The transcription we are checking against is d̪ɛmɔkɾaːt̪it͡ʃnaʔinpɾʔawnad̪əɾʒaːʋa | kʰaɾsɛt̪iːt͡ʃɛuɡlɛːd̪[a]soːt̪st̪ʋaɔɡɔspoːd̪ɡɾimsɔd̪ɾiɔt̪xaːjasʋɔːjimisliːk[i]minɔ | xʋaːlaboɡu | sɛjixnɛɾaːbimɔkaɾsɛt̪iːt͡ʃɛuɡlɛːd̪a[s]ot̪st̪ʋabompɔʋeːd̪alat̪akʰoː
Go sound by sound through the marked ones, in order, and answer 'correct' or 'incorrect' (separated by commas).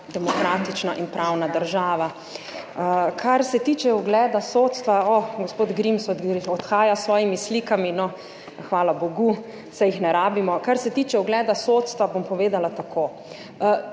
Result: correct, incorrect, correct